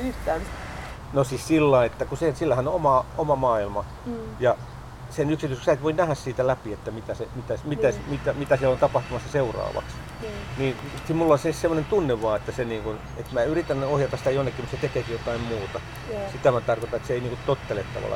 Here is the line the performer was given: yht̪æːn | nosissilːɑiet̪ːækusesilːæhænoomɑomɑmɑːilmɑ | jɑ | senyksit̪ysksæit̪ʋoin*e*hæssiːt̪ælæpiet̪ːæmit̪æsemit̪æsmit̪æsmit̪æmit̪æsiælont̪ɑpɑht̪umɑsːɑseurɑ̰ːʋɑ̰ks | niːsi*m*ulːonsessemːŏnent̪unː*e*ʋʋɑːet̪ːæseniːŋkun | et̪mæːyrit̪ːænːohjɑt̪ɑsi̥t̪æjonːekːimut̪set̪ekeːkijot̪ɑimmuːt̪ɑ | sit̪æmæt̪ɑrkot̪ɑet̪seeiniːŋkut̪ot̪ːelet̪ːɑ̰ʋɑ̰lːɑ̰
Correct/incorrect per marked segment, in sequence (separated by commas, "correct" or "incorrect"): incorrect, correct, correct